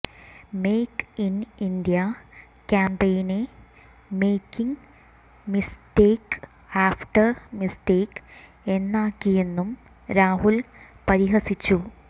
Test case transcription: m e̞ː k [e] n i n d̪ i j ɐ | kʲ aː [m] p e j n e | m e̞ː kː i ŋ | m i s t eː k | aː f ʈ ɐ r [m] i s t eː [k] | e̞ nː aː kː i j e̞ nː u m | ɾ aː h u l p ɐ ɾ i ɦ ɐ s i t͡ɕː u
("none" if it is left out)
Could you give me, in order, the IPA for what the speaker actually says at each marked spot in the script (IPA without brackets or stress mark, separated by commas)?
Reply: i, m, m, k